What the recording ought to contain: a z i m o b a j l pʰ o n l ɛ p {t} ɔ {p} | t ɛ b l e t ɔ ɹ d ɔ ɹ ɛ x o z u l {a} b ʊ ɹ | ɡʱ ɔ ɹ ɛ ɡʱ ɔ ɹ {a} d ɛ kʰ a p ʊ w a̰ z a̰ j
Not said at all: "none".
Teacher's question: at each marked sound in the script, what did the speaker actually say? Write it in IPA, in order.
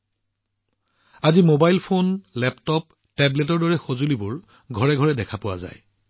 t, p, i, ɛ

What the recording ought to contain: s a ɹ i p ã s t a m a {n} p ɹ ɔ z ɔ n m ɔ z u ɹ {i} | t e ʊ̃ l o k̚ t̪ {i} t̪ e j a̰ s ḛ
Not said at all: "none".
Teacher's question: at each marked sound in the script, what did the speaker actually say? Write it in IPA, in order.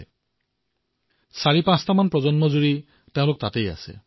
n, i, a

